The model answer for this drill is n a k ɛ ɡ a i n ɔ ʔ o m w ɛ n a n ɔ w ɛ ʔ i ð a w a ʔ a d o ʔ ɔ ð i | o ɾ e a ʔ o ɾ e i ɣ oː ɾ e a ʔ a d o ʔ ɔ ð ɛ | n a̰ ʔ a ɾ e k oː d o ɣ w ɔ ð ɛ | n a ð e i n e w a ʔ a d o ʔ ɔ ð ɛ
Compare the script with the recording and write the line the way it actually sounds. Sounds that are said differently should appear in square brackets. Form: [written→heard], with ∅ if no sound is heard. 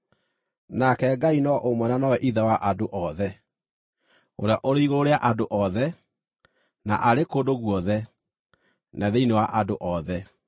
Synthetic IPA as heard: n a k ɛ ɡ a i n ɔ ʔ o m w ɛ n a n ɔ w ɛ ʔ i ð a w a ʔ a d o ʔ ɔ ð [i→ɛ] | o ɾ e a ʔ o ɾ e i ɣ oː ɾ e a ʔ a d o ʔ ɔ ð ɛ | n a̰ ʔ a ɾ e k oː d o ɣ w ɔ ð ɛ | n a ð e i n e w a ʔ a d o ʔ ɔ ð ɛ